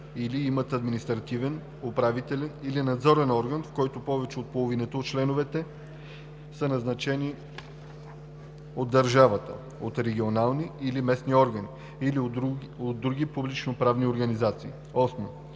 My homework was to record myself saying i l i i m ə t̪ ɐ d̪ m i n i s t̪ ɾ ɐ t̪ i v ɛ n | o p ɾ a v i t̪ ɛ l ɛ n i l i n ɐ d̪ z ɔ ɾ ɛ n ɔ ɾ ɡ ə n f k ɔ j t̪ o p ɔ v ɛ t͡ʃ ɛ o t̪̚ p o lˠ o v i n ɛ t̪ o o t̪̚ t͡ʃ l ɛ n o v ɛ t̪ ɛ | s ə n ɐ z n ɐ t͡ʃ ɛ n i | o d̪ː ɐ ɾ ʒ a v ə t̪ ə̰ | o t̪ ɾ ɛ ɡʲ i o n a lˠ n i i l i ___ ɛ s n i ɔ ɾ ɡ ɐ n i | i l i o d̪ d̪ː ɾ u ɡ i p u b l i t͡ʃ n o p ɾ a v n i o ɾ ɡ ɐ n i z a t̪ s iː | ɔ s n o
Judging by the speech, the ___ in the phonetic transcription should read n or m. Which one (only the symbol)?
m